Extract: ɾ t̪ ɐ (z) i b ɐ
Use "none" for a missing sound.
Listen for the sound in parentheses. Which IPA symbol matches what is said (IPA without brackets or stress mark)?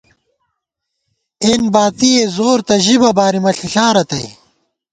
ʑ